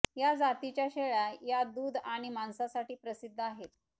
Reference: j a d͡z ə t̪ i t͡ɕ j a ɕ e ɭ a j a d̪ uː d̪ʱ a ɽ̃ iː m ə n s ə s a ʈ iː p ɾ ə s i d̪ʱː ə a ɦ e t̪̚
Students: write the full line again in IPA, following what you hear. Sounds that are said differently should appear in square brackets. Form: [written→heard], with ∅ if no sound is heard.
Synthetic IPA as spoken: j a d͡z [ə→a] t̪ i t͡ɕ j a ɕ e ɭ a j a d̪ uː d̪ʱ a ɽ̃ [iː→i] m [ə→a] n s [ə→a] s a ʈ iː p ɾ ə s i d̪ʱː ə a ɦ e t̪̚

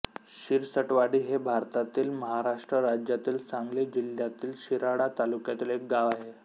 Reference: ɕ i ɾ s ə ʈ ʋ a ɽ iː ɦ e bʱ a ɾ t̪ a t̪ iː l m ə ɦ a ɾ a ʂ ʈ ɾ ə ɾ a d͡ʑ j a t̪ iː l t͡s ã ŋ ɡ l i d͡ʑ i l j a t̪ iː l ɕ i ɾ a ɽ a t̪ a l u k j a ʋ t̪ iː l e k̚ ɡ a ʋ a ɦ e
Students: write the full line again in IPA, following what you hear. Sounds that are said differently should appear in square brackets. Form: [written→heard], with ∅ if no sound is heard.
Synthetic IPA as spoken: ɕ i ɾ s ə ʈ ʋ a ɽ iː ɦ e bʱ a ɾ t̪ a t̪ iː l m ə ɦ a ɾ a ʂ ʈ ɾ ə ɾ a d͡ʑ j a t̪ iː l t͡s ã ŋ ɡ l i d͡ʑ i l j a t̪ iː l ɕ i ɾ a ɽ a t̪ a l u k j a [ʋ→∅] t̪ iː l e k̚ ɡ a ʋ a ɦ e

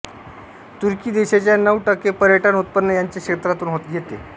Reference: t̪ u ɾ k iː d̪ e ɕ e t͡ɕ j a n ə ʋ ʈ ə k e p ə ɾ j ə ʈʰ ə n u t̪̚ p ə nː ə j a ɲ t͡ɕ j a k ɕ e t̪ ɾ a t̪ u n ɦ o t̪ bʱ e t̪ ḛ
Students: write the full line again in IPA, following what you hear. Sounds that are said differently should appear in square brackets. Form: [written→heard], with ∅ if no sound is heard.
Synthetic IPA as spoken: t̪ u ɾ k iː d̪ e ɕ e t͡ɕ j a n ə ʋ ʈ ə k e p ə ɾ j ə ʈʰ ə n u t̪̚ p ə nː ə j a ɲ t͡ɕ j a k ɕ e t̪ ɾ a t̪ [u→uː] n ɦ o t̪ [bʱ→ɡʱ] e t̪ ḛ

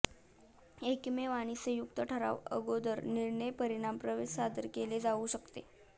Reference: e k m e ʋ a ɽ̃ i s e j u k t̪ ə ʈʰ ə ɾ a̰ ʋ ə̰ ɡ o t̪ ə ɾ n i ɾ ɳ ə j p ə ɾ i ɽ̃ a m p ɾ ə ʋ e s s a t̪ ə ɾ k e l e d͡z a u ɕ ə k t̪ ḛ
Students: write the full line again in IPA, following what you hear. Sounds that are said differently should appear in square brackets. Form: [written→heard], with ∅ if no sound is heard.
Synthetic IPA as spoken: e k m e ʋ a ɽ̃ i s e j u k t̪ ə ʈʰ ə ɾ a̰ ʋ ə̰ ɡ o [t̪→d̪] ə ɾ n i ɾ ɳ ə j p ə ɾ i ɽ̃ a m p ɾ ə ʋ e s s a [t̪→d̪] ə ɾ k e l e d͡z a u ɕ ə k t̪ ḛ

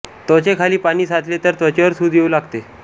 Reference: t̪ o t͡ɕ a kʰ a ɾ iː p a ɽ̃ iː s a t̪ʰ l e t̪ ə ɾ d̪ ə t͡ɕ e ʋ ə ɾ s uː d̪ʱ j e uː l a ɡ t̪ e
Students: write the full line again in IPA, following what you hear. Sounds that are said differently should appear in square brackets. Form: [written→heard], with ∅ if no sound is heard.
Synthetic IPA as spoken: t̪ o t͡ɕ [a→e] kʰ a [ɾ→l] iː p a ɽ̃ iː s a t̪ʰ l e t̪ ə ɾ [d̪→t̪] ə t͡ɕ e ʋ ə ɾ s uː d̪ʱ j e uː l a ɡ t̪ e

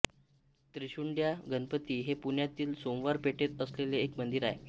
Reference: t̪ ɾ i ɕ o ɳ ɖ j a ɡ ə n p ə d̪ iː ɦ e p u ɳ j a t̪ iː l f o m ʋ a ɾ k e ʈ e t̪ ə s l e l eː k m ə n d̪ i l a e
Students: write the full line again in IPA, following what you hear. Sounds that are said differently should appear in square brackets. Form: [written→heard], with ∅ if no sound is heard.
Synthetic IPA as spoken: t̪ ɾ i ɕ [o→u] ɳ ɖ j a ɡ ə n p ə [d̪→t̪] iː ɦ e p u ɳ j a t̪ iː l [f→s] o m ʋ a ɾ [k→p] e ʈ e t̪ ə s l e l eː k m ə n d̪ i [l→ɾ] a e

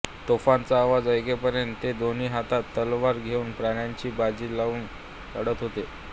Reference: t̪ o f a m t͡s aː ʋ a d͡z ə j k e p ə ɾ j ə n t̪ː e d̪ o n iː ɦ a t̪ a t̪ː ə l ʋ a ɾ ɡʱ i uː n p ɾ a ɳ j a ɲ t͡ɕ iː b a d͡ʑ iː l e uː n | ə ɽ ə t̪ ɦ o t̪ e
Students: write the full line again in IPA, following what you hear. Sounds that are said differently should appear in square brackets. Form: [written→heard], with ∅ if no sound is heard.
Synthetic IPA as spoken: t̪ o f a [m→n] t͡s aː ʋ a d͡z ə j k e p ə ɾ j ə n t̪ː e d̪ o n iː ɦ a t̪ a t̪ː ə l ʋ a ɾ ɡʱ [i→e] uː n p ɾ a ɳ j a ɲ t͡ɕ iː b a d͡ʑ iː l [e→a] uː n | ə ɽ ə t̪ ɦ o t̪ e

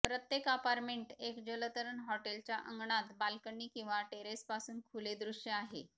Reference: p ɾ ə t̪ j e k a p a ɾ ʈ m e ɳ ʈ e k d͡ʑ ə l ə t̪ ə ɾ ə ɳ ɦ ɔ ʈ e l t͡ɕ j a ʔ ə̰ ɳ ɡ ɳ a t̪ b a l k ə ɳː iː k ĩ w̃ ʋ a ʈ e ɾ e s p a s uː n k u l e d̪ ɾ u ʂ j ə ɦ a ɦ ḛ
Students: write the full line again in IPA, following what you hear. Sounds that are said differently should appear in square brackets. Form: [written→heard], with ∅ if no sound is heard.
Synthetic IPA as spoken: p ɾ ə t̪ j e k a p a ɾ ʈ m e ɳ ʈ e k d͡ʑ ə l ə t̪ ə ɾ ə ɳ ɦ ɔ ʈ e l t͡ɕ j a ʔ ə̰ [ɳ→ŋ] ɡ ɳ a t̪ b a l k ə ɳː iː k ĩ w̃ ʋ a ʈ e ɾ e s p a s uː n [k→kʰ] u l e d̪ ɾ u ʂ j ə [ɦ→∅] a ɦ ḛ

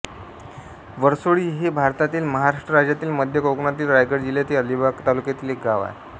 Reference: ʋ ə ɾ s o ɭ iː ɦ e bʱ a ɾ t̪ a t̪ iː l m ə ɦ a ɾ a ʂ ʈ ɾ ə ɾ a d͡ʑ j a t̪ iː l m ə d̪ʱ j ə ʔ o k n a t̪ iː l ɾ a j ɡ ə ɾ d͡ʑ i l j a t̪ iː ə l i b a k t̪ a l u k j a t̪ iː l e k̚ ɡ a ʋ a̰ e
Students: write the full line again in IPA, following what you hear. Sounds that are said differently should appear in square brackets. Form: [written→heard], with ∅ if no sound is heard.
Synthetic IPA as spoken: ʋ ə ɾ s o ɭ iː ɦ e bʱ a ɾ t̪ a t̪ iː l m ə ɦ a ɾ a ʂ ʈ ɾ ə ɾ a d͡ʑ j a t̪ iː l m ə d̪ʱ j ə [ʔ→k] o k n a t̪ iː l ɾ a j ɡ ə ɾ d͡ʑ i l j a t̪ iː ə l i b a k t̪ a l u k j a t̪ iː l e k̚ ɡ a ʋ a̰ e

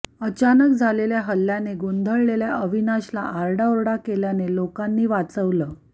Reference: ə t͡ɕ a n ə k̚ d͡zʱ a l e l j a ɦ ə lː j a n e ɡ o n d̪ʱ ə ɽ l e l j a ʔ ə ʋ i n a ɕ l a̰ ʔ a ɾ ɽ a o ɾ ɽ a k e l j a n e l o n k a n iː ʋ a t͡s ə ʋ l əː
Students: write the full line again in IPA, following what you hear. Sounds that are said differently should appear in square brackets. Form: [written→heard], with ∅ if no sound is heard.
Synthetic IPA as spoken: ə t͡ɕ a n ə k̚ d͡zʱ a l e l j a ɦ ə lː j a n e ɡ o n d̪ʱ ə [ɽ→ɭ] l e l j a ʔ ə ʋ i n a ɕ l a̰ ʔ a ɾ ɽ a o ɾ ɽ a k e l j a n e l o [n→∅] k a [n→nː] iː ʋ a t͡s ə ʋ l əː

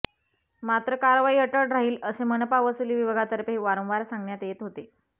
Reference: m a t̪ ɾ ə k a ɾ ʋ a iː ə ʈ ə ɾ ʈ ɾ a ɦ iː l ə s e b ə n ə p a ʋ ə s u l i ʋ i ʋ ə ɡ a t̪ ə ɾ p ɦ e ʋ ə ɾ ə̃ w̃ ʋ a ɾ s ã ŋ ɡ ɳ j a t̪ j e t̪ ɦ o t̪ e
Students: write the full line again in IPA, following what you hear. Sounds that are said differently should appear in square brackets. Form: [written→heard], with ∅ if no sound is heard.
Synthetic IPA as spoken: m a t̪ ɾ ə k a ɾ ʋ a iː ə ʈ ə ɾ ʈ ɾ a ɦ iː l ə s e [b→m] ə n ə p a ʋ ə s u l i ʋ i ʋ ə ɡ a t̪ ə ɾ p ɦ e ʋ [ə→a] ɾ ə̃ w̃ ʋ a ɾ s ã ŋ ɡ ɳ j a t̪ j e t̪ ɦ o t̪ e

